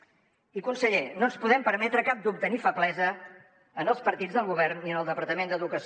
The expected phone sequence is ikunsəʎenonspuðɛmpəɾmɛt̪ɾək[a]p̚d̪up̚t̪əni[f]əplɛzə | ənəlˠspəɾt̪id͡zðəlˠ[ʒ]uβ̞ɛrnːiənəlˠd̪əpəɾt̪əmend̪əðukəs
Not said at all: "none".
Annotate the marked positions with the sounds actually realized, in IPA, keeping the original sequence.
a, f, ɣ

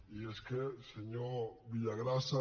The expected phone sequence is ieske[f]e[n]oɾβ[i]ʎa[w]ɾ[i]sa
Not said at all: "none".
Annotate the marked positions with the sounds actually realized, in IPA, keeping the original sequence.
s, ɲ, i, ɣ, a

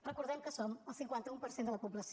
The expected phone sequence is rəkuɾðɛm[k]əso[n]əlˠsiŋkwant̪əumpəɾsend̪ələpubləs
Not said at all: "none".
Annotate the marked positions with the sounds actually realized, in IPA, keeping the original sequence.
k, m

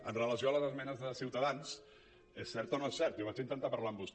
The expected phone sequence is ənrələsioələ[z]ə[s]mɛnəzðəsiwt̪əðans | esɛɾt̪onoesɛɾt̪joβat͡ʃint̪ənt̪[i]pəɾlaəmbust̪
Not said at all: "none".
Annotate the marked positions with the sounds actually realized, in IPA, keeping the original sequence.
z, z, a

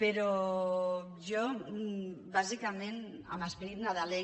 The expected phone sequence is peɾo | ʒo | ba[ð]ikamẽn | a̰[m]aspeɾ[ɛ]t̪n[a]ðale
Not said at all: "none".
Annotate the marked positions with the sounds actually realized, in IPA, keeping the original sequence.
z, m, i, a

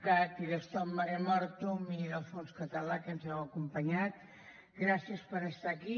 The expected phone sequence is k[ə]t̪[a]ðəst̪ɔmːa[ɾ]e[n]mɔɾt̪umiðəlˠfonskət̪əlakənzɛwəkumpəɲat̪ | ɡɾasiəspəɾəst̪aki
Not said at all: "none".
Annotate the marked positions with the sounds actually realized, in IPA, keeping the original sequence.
a, i, ɾ, none

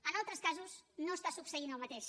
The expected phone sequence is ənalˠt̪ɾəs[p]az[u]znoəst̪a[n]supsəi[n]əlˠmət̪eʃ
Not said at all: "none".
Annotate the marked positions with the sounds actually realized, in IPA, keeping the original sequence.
k, u, none, n

